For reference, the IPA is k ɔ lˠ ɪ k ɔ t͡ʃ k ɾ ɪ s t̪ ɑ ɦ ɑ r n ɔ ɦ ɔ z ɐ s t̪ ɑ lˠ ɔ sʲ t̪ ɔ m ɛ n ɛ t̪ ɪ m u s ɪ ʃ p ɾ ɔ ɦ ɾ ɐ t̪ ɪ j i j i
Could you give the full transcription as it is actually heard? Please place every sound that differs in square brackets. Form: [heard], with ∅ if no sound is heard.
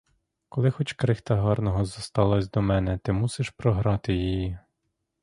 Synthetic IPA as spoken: k ɔ lˠ ɪ [x] ɔ t͡ʃ k ɾ ɪ [x] t̪ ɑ ɦ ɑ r n ɔ ɦ ɔ z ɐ s t̪ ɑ lˠ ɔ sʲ [d̪] ɔ m ɛ n ɛ t̪ ɪ m u s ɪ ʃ p ɾ ɔ ɦ ɾ [ɑ] t̪ ɪ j i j i